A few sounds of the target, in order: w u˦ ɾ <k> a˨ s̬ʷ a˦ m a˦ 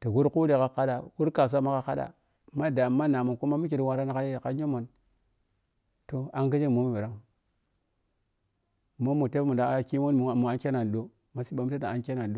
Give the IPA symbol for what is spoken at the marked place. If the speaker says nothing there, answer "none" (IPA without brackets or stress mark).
k